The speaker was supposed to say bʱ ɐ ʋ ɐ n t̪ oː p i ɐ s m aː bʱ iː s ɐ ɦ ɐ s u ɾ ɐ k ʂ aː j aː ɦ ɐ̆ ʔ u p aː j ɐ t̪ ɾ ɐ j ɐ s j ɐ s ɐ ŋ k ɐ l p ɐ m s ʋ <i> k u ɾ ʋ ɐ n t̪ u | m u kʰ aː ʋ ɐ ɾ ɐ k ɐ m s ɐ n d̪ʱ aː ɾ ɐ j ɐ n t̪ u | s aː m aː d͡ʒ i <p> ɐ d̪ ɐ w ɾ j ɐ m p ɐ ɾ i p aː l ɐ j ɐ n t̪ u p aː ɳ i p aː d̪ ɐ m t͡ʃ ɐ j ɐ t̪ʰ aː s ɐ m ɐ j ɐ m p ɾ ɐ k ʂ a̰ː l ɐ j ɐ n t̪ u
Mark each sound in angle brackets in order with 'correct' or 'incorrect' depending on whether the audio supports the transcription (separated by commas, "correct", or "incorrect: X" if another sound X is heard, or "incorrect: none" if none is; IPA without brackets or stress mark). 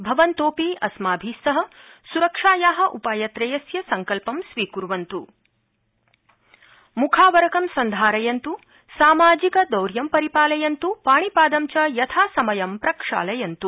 incorrect: iː, incorrect: k